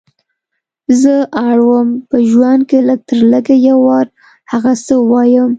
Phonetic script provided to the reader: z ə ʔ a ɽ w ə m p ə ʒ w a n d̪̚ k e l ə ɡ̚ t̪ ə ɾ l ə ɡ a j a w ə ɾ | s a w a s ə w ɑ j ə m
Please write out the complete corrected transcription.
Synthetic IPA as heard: z ə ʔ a ɽ w ə m p ə ʒ w a n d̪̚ k e l ə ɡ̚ t̪ ə ɾ l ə ɡ a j a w ɑ ɾ | h a ɣ a s ə w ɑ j ə m